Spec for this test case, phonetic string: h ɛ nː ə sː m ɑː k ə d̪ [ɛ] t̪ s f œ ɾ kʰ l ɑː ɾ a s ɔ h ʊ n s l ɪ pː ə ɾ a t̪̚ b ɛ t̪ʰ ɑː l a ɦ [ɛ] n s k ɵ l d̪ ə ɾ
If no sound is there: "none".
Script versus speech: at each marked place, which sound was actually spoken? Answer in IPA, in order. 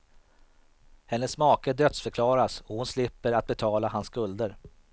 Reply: œ, a

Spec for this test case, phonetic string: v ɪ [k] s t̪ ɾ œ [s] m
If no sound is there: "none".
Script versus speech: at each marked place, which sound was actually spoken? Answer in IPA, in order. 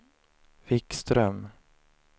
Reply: k, none

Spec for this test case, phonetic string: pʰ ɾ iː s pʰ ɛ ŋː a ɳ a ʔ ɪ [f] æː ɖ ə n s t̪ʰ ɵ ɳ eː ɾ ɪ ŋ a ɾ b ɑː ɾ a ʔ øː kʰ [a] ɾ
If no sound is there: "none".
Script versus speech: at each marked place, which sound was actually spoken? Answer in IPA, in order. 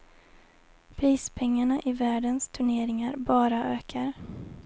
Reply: v, a

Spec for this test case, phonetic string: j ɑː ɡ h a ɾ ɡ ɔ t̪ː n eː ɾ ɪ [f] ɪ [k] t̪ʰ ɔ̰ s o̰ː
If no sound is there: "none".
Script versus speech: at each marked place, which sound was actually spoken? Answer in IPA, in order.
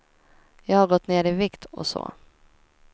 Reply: v, k

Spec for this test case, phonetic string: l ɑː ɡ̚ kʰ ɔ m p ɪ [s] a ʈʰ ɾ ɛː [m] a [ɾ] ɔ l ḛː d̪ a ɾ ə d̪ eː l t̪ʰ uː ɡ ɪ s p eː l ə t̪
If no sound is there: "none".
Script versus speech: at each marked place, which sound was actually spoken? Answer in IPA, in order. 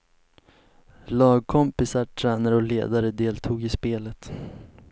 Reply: s, n, ɾ

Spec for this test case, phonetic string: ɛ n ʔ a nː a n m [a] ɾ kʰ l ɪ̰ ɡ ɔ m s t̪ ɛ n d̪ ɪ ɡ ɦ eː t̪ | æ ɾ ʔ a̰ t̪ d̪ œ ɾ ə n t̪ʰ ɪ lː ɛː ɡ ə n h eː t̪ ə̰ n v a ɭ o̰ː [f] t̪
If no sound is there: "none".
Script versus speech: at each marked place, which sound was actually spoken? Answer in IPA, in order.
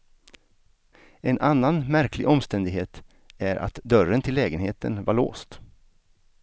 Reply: æ, s

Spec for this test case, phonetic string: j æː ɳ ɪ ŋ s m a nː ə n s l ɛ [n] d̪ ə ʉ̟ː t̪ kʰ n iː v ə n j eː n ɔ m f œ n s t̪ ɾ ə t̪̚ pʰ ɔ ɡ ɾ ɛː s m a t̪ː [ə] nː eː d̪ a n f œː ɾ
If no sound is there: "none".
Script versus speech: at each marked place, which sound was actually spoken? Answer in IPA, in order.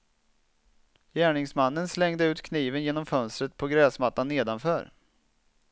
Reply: ŋ, a

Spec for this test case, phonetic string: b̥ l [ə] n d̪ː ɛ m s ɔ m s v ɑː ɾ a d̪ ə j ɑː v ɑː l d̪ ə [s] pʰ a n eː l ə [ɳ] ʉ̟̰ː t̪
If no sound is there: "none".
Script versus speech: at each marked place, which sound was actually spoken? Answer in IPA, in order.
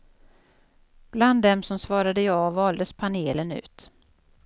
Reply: a, s, n

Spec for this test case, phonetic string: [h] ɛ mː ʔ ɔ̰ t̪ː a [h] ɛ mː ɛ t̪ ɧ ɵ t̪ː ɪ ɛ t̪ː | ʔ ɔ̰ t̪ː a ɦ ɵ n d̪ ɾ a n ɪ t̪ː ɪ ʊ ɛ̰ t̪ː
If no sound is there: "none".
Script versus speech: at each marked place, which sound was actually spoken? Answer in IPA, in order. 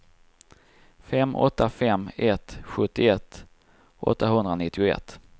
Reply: f, f

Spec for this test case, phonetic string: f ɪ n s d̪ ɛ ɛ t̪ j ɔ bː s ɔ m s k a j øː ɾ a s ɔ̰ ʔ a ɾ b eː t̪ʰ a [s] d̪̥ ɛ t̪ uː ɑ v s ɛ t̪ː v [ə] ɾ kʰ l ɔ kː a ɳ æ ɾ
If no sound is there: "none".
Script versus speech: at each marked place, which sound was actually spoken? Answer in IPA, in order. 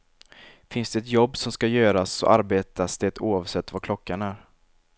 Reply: s, a

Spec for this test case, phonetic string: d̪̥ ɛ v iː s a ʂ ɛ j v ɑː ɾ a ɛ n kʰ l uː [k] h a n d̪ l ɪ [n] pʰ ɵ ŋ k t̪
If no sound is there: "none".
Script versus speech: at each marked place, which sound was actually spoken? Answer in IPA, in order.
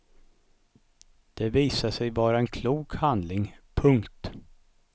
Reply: k, ŋ

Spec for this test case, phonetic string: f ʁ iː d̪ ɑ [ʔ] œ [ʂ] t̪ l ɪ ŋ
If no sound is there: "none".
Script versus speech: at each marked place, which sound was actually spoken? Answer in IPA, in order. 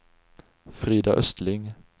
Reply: ʔ, s

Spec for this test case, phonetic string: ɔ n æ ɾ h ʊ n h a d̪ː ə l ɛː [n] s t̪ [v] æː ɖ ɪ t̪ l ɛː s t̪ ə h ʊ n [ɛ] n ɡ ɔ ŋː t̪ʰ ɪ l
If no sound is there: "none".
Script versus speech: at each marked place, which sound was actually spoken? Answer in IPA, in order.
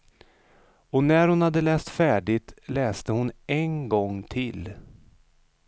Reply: none, f, ɛ

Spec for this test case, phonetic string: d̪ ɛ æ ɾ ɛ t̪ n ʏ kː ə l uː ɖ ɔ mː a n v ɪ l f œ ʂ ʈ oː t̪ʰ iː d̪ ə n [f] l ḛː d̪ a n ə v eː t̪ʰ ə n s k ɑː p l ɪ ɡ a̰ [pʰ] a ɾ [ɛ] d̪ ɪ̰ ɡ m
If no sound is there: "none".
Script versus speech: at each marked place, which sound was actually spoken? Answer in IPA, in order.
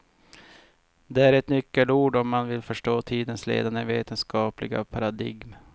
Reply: s, pʰ, a

